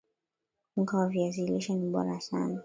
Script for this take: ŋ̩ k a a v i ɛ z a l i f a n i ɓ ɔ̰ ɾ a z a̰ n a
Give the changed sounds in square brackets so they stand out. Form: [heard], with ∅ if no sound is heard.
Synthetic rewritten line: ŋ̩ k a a v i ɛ z [i] l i [ʃ] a n i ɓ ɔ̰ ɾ a [s] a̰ n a